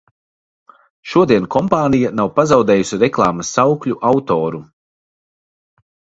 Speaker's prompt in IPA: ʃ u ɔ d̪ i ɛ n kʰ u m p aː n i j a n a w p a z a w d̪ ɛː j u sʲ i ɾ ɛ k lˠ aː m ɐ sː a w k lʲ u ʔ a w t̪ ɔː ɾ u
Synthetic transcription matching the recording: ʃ u ɔ d̪ i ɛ n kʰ ɔ m p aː n i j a n a w p a z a w d̪ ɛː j u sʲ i ɾ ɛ k lˠ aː m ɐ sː a w k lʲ u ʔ a w t̪ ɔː ɾ u